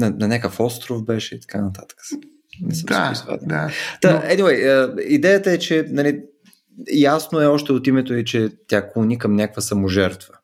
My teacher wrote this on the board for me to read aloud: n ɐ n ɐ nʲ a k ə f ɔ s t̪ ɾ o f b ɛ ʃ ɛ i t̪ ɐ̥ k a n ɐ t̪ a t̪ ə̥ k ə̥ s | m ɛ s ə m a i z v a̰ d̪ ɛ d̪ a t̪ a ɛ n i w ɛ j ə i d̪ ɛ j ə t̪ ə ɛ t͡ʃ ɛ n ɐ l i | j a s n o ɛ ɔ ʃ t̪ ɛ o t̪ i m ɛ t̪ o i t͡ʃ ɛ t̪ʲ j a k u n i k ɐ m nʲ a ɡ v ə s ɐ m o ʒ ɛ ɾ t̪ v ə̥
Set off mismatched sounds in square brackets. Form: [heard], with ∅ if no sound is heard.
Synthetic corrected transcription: n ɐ n ɐ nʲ a k ə f ɔ s t̪ ɾ o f b ɛ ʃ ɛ i t̪ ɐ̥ k a n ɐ t̪ a t̪ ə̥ k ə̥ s | [n] ɛ s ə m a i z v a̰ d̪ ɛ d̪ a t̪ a ɛ n i w ɛ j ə i d̪ ɛ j ə t̪ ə ɛ t͡ʃ ɛ n ɐ l i | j a s n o ɛ ɔ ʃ t̪ ɛ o t̪ i m ɛ t̪ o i t͡ʃ ɛ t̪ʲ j a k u n i k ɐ m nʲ a [k] v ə s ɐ m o ʒ ɛ ɾ t̪ v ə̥